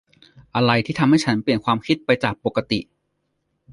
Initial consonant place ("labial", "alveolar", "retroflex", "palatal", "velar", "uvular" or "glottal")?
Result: glottal